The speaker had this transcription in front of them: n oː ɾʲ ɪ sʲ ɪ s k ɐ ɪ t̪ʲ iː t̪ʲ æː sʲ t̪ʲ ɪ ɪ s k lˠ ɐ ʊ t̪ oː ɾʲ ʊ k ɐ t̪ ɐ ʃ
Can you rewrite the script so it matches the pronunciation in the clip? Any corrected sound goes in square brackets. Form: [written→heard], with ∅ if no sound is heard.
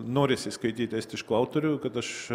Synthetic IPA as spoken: n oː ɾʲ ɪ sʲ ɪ s k ɐ ɪ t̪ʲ iː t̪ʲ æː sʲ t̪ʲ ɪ ɪ [s→ʃ] k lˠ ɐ ʊ t̪ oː ɾʲ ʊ k ɐ t̪ ɐ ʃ